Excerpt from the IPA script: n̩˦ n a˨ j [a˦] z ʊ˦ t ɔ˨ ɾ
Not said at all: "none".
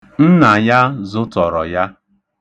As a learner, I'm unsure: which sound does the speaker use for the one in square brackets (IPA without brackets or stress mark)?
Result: a˦